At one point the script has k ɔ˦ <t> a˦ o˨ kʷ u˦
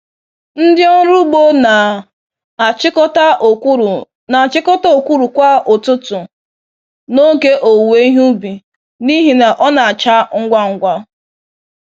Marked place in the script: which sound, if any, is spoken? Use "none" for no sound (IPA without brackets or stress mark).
t